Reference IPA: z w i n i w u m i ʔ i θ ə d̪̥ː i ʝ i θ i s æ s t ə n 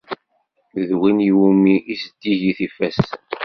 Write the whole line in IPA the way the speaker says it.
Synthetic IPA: ð w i n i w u m i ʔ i s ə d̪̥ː i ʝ i θ i f æ s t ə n